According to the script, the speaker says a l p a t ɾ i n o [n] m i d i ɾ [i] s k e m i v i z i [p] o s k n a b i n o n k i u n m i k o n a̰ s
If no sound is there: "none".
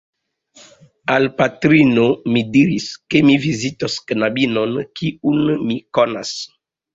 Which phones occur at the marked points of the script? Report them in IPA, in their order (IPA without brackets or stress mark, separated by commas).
none, i, t